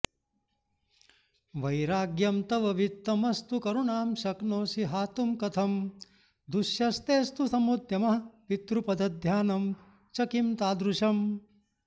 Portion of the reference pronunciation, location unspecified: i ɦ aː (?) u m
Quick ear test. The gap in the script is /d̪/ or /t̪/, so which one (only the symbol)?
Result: t̪